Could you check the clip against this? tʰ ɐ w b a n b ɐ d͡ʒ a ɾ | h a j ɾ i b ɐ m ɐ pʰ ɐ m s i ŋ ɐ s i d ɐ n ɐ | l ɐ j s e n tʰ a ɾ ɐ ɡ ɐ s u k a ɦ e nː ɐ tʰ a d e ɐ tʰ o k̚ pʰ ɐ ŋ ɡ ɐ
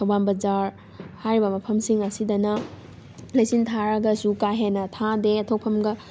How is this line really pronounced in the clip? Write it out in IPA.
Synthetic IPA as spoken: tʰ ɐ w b a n b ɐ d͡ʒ a ɾ | h a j ɾ i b ɐ m ɐ pʰ ɐ m s i ŋ ɐ s i d ɐ n ɐ | l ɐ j s i n tʰ a ɾ ɐ ɡ ɐ s u k a ɦ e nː ɐ tʰ a d e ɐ tʰ o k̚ pʰ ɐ m ɡ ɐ

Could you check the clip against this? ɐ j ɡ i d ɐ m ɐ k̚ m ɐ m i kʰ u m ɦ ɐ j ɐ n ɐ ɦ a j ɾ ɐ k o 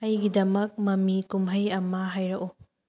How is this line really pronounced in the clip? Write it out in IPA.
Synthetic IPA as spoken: ɐ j ɡ i d ɐ m ɐ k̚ m ɐ m i k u m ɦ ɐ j ɐ m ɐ ɦ a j ɾ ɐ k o

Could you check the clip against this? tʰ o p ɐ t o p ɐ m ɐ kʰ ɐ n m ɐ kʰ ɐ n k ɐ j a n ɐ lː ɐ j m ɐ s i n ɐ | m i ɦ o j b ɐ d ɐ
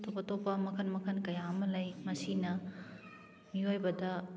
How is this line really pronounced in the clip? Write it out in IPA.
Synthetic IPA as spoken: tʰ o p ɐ t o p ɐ m ɐ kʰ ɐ n m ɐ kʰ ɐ n k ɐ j a m ɐ l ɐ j m ɐ s i n ɐ | m i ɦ o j b ɐ d ɐ

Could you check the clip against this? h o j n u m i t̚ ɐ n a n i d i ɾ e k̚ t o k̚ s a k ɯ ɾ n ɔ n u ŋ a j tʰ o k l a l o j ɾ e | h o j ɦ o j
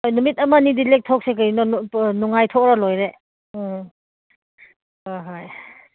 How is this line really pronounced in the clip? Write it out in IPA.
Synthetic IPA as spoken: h o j n u m i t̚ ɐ m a n i d i l e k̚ tʰ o k̚ s e k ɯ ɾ n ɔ n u ŋ a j tʰ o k ɾ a l o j ɾ e | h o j ɦ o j

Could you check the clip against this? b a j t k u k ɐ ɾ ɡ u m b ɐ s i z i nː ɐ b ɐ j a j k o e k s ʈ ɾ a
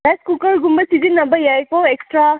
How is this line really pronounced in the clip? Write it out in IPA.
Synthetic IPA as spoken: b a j s k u k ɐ ɾ ɡ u m b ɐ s i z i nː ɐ b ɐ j a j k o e k s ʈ ɾ a

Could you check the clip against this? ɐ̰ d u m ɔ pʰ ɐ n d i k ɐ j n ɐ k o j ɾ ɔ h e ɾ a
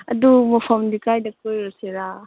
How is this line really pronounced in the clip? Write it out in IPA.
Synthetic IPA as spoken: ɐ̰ d u m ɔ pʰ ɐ m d i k a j d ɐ k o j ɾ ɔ s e ɾ a

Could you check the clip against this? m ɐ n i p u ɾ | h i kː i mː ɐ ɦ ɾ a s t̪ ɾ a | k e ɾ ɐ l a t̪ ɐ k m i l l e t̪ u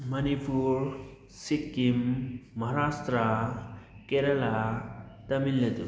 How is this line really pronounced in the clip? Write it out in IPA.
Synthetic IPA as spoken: m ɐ n i p u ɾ | s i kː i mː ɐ ɦ ɾ a s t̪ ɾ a | k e ɾ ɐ l a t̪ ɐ m i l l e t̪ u

